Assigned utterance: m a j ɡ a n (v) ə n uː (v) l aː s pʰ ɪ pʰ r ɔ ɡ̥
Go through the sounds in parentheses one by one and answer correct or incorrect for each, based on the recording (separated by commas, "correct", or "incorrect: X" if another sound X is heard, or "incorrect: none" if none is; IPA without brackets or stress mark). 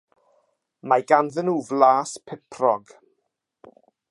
incorrect: ð, correct